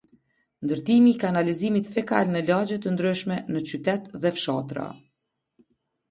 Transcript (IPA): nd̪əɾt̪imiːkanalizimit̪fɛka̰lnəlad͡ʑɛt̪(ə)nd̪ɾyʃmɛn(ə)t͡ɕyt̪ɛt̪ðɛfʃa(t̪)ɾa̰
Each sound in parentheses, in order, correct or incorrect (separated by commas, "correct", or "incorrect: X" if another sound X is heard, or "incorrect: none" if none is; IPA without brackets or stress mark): correct, correct, correct